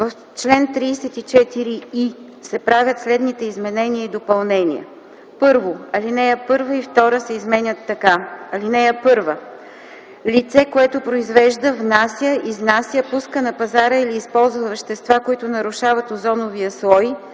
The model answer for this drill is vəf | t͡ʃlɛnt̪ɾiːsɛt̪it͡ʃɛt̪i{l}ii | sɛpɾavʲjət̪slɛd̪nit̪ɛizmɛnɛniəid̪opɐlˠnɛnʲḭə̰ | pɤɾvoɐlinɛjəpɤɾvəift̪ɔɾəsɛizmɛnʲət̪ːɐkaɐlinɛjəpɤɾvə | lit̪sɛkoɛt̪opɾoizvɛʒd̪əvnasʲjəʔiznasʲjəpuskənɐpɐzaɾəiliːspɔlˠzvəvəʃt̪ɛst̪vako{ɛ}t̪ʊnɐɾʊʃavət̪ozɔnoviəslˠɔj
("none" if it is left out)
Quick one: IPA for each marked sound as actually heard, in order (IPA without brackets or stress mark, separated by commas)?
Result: ɾ, i